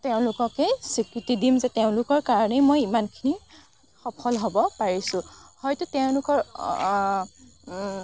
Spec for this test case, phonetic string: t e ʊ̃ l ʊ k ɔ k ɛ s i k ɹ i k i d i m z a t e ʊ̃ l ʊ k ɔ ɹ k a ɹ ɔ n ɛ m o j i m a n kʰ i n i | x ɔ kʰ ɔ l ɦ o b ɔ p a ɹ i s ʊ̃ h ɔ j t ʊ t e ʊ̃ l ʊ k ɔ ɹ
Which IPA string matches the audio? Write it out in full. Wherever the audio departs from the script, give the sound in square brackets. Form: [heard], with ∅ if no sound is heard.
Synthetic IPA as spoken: t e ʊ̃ l ʊ k ɔ k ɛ s i k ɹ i [t] i d i m z [ɛ] t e ʊ̃ l ʊ k ɔ ɹ k a ɹ ɔ n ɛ m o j i m a n kʰ i n i | x ɔ [pʰ] ɔ l ɦ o b ɔ p a ɹ i s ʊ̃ h ɔ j t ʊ t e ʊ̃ l ʊ k ɔ ɹ